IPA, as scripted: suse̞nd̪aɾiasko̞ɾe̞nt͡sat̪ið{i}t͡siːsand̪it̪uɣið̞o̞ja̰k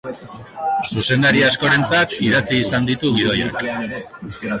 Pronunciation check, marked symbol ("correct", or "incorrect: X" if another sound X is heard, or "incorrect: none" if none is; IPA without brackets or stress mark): incorrect: a